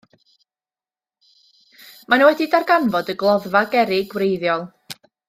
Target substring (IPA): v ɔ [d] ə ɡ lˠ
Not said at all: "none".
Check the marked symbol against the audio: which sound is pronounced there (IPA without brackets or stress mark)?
d